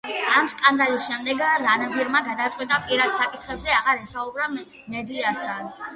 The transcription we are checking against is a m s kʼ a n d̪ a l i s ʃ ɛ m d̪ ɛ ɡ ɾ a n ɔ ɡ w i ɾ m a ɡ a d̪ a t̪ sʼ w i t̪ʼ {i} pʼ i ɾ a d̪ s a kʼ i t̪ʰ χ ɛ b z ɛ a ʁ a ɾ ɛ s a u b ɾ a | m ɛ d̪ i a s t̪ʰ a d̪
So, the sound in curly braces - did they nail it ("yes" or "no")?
no